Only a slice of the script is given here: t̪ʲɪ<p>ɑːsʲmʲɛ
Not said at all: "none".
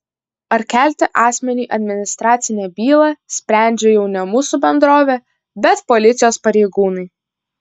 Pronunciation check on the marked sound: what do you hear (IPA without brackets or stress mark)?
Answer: ʔ